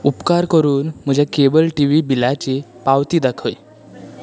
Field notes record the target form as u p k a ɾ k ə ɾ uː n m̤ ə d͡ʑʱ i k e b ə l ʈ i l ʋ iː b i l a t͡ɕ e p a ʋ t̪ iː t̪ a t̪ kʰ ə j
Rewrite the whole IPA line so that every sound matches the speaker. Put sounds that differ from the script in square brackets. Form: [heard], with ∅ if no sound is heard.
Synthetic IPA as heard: u p k a ɾ k ə ɾ uː n m̤ ə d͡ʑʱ [a] k e b ə l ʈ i [∅] ʋ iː b i l a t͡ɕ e p a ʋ t̪ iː [d̪] a [∅] kʰ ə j

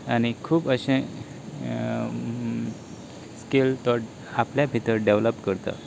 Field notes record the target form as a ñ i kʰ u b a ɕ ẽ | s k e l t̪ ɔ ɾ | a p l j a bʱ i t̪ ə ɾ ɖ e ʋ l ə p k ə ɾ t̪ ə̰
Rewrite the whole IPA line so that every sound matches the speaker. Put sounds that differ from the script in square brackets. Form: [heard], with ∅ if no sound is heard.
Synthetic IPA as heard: a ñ i kʰ [uː] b [ə] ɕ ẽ | s k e l t̪ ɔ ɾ | a p l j a bʱ i t̪ ə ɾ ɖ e ʋ l ə p k ə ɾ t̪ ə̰

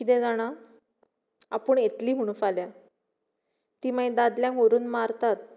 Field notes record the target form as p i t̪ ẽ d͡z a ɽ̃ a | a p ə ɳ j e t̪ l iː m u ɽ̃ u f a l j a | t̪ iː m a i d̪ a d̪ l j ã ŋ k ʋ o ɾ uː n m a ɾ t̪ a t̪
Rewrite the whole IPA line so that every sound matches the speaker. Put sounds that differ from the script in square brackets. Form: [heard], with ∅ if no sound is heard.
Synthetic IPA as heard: [k] i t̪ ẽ d͡z a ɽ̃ a | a p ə ɳ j e t̪ l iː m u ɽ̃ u f a l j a | t̪ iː m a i d̪ a d̪ l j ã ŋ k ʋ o ɾ uː n m a ɾ t̪ a t̪

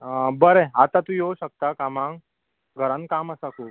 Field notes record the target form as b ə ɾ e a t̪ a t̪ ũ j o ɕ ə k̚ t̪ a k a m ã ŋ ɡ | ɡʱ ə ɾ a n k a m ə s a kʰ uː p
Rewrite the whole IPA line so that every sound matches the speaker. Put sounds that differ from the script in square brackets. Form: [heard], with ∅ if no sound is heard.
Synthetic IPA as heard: b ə ɾ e a t̪ a t̪ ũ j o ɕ ə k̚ t̪ a k a m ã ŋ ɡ | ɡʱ ə ɾ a n k a m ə s a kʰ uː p

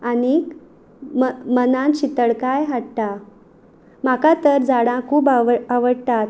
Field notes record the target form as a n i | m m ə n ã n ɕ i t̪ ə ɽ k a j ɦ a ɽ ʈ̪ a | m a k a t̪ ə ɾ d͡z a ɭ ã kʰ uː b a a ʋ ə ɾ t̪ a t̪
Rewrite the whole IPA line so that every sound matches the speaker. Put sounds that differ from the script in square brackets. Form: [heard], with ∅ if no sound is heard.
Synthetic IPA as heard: a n i | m m ə n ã n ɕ i t̪ ə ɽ k a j ɦ a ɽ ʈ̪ a | m a k a t̪ ə ɾ d͡z a [ɽ] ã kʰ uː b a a ʋ ə [ɽ] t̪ a t̪

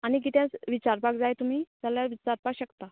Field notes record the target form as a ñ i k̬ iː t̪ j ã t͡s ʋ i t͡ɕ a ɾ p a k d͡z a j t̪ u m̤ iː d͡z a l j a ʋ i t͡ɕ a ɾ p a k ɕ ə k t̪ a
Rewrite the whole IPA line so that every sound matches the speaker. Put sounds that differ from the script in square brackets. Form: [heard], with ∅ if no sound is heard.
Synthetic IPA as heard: a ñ i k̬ [i] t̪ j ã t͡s ʋ i t͡ɕ a ɾ p a k d͡z a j t̪ u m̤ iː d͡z a l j a ʋ i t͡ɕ a ɾ p a k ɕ ə k t̪ a

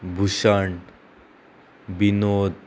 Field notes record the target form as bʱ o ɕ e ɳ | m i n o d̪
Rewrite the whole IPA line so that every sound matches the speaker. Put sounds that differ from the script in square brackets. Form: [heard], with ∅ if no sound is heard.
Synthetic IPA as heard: bʱ [u] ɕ [a] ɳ | [b] i n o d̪

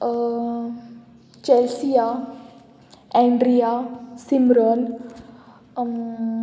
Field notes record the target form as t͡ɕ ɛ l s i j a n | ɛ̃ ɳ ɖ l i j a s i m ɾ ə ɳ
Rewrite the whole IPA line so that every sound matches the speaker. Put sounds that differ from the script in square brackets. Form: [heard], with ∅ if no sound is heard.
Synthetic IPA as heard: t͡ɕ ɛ l s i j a [∅] | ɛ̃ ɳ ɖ [ɾ] i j a s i m ɾ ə [n]

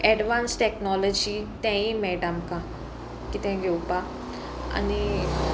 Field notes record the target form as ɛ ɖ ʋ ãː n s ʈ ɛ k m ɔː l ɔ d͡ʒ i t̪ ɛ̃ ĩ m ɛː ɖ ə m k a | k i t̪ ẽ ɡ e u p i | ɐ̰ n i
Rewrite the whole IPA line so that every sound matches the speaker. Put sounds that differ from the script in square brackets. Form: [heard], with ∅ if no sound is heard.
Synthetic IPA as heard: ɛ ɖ ʋ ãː n s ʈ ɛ k [n] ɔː l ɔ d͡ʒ i t̪ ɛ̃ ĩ m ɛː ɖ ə m k a | k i t̪ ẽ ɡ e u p [a] | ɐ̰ n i

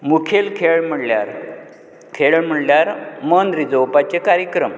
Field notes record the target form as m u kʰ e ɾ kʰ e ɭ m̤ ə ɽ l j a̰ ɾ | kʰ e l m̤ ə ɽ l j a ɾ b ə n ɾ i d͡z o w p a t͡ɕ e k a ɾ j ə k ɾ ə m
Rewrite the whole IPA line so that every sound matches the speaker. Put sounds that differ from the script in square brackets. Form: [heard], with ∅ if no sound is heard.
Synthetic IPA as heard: m u kʰ e [l] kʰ e ɭ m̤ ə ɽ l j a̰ ɾ | kʰ e [ɭ] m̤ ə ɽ l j a ɾ [m] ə n ɾ i d͡z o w p a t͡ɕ e k a ɾ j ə k ɾ ə m

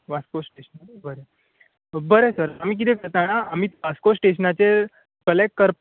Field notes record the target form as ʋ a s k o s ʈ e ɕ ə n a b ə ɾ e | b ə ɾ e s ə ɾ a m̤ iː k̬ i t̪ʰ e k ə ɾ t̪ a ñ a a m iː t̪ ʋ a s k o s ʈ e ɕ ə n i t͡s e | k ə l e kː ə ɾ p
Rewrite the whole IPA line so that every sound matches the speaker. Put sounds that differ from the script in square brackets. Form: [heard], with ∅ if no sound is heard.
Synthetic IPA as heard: ʋ a s k o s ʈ e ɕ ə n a b ə ɾ e | b ə ɾ e s ə ɾ a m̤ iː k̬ i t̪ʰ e k ə ɾ t̪ a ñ a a m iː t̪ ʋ a s k o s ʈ e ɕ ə n [a] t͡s e | k ə l e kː ə ɾ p

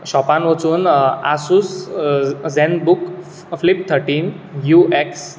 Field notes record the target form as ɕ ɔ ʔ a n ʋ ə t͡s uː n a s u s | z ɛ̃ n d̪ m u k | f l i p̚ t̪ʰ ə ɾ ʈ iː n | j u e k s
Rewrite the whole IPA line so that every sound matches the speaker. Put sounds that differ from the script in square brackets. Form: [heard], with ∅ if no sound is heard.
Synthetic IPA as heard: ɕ ɔ [p] a n ʋ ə t͡s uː n a s u s | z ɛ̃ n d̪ [b] u k | f l i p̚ t̪ʰ ə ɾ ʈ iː n | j u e k s

